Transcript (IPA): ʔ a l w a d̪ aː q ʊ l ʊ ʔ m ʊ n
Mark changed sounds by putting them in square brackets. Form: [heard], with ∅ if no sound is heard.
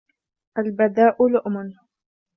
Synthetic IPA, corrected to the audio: ʔ a l [b] a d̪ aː [ʔ] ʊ l ʊ ʔ m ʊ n

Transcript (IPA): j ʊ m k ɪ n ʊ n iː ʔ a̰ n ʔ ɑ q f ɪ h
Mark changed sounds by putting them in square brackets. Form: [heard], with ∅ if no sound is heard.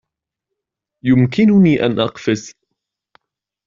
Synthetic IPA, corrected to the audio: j ʊ m k ɪ n ʊ n iː ʔ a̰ n ʔ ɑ q f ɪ [s]

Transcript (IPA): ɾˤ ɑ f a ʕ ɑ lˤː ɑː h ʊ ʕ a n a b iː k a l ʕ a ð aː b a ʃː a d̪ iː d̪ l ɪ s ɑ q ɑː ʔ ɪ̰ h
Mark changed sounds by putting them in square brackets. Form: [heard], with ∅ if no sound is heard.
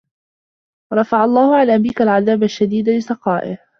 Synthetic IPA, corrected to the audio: ɾˤ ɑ f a ʕ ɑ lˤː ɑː h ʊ ʕ a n a b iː k a l ʕ a ð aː b a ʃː a d̪ iː d̪ l ɪ s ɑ q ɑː ʔ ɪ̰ h

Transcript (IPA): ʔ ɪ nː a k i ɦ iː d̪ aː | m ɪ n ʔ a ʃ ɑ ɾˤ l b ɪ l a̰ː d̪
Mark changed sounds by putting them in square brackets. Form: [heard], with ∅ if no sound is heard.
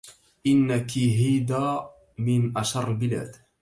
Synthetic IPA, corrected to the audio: ʔ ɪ nː a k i ɦ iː d̪ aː | m ɪ n ʔ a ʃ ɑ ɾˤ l b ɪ l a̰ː d̪

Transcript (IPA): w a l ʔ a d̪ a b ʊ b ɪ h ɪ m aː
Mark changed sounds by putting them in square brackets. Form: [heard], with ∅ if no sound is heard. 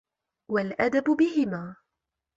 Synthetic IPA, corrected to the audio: w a l ʔ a d̪ a b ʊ b ɪ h ɪ m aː

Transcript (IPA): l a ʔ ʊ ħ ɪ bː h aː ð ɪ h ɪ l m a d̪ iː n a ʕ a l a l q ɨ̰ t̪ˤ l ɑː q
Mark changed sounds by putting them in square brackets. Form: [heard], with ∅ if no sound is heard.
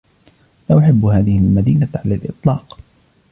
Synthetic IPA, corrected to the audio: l a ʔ ʊ ħ ɪ bː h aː ð ɪ h ɪ l m a d̪ iː n a ʕ a l a l [ʔ] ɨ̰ t̪ˤ l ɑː q

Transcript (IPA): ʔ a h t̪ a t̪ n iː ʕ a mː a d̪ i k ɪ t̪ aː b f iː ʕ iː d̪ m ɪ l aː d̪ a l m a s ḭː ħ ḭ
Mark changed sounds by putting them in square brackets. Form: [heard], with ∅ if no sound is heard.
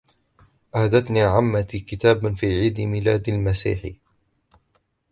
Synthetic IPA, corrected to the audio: ʔ a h [d̪] a t̪ n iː ʕ a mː a [t̪] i k ɪ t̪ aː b f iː ʕ iː d̪ m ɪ l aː d̪ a l m a s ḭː ħ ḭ

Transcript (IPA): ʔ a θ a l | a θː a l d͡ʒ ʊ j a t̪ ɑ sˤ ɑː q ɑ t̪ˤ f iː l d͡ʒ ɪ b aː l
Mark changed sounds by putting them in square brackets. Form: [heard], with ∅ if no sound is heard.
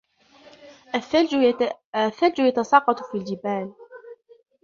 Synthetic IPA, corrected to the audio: ʔ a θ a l | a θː a l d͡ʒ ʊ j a t̪ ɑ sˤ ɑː q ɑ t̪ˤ f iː l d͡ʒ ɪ b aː l

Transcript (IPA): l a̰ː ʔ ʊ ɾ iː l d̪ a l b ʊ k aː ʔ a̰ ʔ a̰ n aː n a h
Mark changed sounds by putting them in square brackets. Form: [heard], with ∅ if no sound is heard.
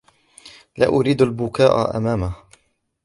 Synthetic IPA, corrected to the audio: l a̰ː ʔ ʊ ɾ iː [∅] d̪ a l b ʊ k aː ʔ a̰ ʔ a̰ [m] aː [m] a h

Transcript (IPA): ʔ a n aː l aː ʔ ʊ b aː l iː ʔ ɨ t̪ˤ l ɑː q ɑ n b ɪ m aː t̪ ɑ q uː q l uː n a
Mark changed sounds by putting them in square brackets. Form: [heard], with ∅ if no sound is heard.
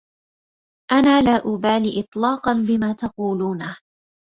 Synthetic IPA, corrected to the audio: ʔ a n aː l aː ʔ ʊ b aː l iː ʔ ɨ t̪ˤ l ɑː q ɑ n b ɪ m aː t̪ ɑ q uː [∅] l uː n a

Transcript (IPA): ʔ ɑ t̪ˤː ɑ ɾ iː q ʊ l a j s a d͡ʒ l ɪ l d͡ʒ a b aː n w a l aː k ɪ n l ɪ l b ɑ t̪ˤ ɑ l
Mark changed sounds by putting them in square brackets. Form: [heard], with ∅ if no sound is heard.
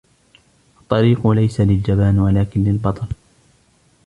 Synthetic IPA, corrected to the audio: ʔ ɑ t̪ˤː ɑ ɾ iː q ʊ l a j s a [∅] l ɪ l d͡ʒ a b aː n w a l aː k ɪ n l ɪ l b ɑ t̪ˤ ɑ l

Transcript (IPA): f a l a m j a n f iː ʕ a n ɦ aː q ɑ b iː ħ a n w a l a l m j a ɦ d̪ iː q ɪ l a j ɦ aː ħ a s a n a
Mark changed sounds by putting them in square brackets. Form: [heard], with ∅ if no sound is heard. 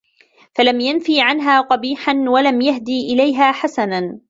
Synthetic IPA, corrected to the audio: f a l a m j a n f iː ʕ a n ɦ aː q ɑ b iː ħ a n w a l a [∅] m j a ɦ d̪ iː [ʔ] ɪ l a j ɦ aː ħ a s a n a

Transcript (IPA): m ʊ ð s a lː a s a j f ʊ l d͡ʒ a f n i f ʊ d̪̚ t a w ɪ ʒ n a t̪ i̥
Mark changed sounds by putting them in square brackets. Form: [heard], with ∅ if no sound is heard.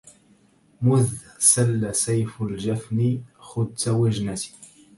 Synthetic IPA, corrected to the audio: m ʊ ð s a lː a s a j f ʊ l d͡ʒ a f n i [x] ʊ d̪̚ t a w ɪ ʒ n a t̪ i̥

